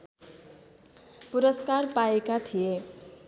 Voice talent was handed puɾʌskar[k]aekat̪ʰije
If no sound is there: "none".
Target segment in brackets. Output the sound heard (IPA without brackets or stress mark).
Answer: p